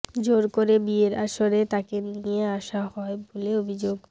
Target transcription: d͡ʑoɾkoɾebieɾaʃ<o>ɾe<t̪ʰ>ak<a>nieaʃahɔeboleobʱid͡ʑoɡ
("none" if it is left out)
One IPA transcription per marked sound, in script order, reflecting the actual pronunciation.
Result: o, t̪, e

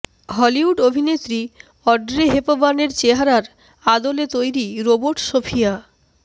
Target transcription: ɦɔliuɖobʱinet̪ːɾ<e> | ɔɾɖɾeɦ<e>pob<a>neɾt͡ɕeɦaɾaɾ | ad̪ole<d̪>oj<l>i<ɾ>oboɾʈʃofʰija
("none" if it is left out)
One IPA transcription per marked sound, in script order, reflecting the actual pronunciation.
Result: i, e, a, t̪, ɾ, ɾ

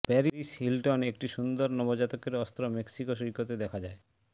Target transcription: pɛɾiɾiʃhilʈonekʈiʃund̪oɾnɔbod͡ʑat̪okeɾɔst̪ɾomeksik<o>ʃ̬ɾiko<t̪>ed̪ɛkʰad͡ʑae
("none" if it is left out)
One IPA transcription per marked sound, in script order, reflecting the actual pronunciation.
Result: o, t̪

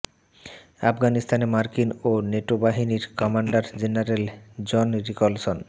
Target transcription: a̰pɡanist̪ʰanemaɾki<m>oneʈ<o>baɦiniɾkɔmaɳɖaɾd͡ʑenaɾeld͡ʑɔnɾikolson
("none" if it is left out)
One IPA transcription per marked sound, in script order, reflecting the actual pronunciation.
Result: n, o

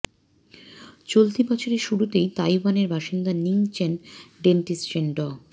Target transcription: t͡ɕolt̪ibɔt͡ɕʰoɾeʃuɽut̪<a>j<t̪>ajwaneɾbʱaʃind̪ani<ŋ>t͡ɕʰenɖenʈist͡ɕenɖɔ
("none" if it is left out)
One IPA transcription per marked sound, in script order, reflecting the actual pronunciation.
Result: e, t̪, ŋ

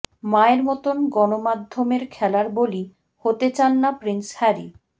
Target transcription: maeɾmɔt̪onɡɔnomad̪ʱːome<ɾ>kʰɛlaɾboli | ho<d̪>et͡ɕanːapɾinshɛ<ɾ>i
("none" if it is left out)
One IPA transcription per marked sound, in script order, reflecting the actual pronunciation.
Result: ɾ, t̪, ɾ

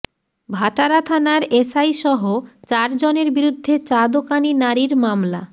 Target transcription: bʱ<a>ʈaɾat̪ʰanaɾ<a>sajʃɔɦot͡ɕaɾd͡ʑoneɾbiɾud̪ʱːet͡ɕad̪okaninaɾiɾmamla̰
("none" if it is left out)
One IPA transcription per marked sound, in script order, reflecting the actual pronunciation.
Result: a, e

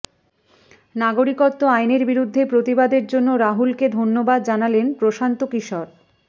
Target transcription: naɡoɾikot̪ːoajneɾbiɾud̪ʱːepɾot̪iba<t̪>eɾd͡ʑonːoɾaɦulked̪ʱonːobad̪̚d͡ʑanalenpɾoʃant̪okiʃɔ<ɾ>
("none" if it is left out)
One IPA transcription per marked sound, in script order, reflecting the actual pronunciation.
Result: d̪, ɾ

